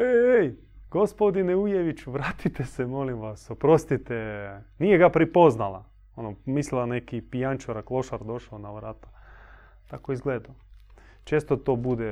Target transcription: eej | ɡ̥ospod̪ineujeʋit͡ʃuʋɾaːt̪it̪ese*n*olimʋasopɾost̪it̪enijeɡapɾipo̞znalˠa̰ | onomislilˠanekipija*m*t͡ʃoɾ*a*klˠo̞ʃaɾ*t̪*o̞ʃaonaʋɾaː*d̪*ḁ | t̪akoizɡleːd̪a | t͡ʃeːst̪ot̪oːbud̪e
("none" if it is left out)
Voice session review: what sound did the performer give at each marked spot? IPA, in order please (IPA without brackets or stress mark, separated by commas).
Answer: m, n, a, d̪, t̪